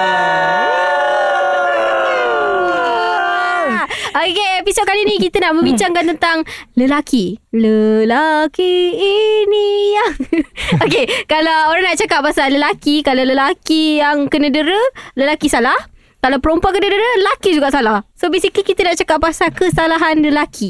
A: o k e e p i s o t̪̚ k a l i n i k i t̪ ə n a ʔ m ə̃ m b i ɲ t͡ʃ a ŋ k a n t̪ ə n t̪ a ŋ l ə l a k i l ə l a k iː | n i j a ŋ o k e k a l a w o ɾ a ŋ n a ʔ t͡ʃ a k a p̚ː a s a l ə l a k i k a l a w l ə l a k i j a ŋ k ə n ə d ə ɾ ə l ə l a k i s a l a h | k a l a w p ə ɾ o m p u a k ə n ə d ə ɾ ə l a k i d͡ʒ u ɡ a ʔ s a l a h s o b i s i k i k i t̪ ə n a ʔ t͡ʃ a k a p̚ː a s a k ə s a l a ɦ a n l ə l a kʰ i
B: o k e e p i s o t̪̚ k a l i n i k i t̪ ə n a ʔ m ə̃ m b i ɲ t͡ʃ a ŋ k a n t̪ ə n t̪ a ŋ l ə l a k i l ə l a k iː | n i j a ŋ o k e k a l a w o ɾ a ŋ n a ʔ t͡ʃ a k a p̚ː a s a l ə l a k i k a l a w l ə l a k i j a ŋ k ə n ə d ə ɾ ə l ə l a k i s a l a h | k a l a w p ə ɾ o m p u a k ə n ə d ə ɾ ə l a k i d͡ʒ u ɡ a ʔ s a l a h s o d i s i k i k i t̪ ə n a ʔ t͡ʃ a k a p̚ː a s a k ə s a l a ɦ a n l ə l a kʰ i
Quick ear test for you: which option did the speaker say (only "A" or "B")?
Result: A